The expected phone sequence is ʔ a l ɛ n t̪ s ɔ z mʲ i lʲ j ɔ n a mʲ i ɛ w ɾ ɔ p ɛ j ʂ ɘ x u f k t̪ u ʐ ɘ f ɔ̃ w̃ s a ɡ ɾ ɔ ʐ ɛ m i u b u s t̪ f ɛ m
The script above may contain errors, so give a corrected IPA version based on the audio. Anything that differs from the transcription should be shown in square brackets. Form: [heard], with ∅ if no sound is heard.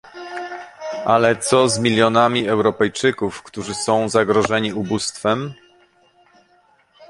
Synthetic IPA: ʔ a l ɛ [∅] t̪ s ɔ z mʲ i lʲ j ɔ n a mʲ i ɛ w ɾ ɔ p ɛ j [t͡ʂ] ɘ [k] u f k t̪ u ʐ ɘ [s] ɔ̃ w̃ [z] a ɡ ɾ ɔ ʐ ɛ [ɲ] i u b u s t̪ f ɛ m